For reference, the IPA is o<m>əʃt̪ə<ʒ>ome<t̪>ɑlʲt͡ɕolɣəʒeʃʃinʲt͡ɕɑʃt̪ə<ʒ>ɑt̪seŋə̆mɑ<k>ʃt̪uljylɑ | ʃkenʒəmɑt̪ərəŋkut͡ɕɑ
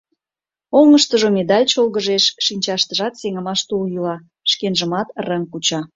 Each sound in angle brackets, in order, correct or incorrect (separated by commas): incorrect, correct, incorrect, correct, incorrect